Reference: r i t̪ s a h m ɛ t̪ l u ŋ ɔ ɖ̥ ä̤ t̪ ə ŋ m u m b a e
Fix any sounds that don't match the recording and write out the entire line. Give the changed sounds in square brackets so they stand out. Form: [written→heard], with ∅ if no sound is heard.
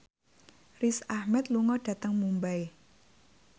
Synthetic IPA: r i [t̪→∅] s a h m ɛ t̪ l u ŋ ɔ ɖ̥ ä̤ t̪ ə ŋ m u m b a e